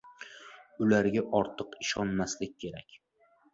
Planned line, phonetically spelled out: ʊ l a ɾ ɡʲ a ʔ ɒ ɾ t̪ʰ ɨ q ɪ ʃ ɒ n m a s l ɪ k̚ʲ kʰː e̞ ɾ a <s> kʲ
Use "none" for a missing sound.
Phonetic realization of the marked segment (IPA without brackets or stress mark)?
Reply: none